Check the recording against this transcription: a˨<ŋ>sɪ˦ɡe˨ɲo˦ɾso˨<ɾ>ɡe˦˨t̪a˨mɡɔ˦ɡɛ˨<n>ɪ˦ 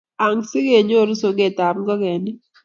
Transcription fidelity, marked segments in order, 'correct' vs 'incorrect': correct, incorrect: none, correct

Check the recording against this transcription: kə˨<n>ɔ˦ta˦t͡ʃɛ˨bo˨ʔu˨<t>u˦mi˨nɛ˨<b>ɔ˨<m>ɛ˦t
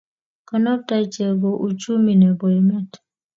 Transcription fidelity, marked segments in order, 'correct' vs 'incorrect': correct, incorrect: t͡ʃ, correct, correct

